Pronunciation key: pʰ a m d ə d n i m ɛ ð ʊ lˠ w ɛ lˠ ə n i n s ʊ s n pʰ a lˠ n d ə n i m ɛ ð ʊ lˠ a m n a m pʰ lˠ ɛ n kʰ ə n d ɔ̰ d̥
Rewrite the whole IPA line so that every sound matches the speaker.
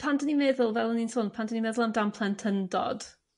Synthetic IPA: pʰ a n d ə n i m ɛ ð ʊ lˠ v ɛ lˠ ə n i n s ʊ n pʰ a n d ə n i m ɛ ð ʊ lˠ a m d a m pʰ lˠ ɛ n tʰ ə n d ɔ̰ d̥